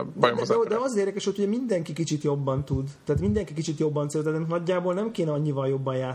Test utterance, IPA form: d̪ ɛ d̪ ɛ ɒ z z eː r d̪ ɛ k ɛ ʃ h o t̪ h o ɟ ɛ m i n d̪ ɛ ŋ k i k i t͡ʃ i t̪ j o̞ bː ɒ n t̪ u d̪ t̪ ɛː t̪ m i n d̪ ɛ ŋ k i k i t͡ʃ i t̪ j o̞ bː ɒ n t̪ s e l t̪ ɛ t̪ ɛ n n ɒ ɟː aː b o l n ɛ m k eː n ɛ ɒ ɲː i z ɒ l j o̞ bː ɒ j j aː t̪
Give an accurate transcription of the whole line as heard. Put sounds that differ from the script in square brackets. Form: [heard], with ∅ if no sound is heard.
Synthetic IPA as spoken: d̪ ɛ d̪ ɛ ɒ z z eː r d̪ ɛ k ɛ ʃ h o t̪ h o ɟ ɛ m i n d̪ ɛ ŋ k i k i t͡ʃ i t̪ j o̞ bː ɒ n t̪ u d̪ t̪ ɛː t̪ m i n d̪ ɛ ŋ k i k i t͡ʃ i t̪ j o̞ bː ɒ n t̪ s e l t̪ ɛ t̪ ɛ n n ɒ ɟː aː b o l n ɛ m k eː n ɛ ɒ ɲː i [v] ɒ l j o̞ bː ɒ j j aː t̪